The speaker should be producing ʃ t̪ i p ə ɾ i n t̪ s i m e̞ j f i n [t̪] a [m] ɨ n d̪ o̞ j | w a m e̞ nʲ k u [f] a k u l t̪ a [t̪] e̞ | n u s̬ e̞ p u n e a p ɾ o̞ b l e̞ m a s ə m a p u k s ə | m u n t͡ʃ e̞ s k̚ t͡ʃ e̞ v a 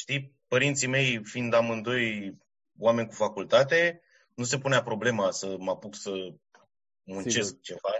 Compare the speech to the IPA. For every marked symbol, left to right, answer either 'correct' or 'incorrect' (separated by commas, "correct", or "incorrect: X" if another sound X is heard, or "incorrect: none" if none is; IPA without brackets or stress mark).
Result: incorrect: d̪, correct, correct, correct